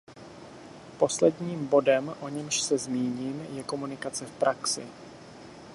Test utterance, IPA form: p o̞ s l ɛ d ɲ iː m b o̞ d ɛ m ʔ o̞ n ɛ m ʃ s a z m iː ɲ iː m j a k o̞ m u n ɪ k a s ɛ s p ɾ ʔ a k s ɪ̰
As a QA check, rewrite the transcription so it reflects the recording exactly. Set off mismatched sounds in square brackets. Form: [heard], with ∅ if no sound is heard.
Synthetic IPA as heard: p o̞ s l ɛ d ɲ iː m b o̞ d ɛ m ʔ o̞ [ɲ] ɛ m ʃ s [ɛ] z m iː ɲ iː m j [ɛ] k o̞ m u n ɪ k a [t͡s] ɛ [f] p ɾ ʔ a k s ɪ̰